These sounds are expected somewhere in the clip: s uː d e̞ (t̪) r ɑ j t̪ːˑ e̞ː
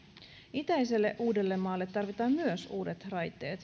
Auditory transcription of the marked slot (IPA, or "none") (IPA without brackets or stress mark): t̪